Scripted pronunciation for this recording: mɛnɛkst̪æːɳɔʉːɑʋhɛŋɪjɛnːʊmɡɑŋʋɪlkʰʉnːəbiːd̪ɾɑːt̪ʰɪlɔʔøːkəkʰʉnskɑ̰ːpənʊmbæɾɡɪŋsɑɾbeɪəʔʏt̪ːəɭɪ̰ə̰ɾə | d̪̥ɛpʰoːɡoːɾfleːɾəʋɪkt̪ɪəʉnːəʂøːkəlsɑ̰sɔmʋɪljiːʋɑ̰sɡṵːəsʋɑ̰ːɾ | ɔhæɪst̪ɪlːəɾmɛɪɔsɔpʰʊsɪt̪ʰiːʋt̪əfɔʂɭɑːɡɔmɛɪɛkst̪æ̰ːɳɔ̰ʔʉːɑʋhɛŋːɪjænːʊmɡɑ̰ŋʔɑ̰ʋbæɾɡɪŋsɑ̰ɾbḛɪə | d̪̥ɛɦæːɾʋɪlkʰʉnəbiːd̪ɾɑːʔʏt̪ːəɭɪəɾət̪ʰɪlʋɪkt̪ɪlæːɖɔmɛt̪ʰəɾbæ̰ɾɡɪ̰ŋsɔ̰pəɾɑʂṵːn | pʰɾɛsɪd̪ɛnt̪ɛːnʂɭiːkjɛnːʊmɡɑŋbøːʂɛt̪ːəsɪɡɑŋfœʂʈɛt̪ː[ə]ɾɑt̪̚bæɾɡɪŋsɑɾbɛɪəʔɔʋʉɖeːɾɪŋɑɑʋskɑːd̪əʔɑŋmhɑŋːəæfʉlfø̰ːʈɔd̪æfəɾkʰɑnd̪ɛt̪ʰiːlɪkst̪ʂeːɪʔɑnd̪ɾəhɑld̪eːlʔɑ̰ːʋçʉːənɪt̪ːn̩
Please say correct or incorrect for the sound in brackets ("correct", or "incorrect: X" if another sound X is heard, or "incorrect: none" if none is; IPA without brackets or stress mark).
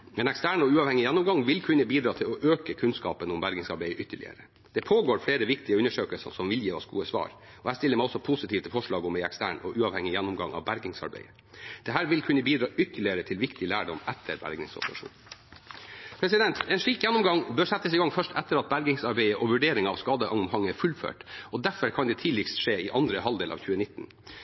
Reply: correct